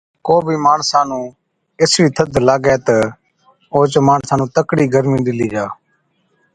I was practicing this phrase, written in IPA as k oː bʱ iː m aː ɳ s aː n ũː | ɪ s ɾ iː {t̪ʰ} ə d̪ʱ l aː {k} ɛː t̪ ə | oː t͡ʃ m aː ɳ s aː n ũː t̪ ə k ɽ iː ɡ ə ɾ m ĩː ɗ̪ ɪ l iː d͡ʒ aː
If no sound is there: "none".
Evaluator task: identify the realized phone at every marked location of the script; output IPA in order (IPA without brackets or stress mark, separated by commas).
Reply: t̪ʰ, ɡ